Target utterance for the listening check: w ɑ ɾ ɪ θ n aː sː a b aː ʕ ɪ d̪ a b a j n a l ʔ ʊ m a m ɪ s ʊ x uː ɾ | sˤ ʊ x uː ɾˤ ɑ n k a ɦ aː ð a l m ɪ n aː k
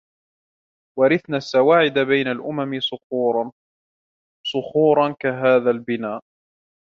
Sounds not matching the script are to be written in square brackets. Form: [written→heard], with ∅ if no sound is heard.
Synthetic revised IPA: w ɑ ɾ ɪ θ n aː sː a [b→w] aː ʕ ɪ d̪ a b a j n a l ʔ ʊ m a m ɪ s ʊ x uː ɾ | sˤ ʊ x uː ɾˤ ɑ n k a ɦ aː ð a l [m→b] ɪ n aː [k→ʔ]